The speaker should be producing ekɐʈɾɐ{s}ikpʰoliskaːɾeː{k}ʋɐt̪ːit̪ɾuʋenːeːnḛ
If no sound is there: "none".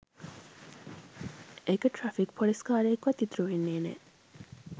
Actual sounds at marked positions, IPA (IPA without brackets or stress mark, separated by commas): f, k